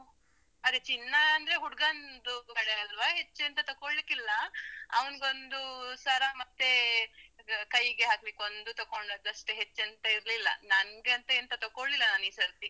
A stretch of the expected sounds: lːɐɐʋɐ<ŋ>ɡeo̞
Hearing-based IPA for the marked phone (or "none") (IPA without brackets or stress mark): n